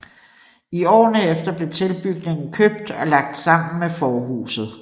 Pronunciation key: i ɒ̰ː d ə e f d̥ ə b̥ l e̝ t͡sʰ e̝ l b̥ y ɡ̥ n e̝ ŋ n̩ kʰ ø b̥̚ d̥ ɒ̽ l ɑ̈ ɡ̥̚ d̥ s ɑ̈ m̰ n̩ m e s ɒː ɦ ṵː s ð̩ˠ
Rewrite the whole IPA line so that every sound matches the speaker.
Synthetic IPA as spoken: i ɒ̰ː n ə e f d̥ ɐ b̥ l e̝ t͡sʰ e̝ l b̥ y ɡ̥ n e̝ ŋ n̩ kʰ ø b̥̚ d̥ ɒ̽ l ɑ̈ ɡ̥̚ d̥ s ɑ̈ m̰ n̩ m e f ɒː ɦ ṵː s ð̩ˠ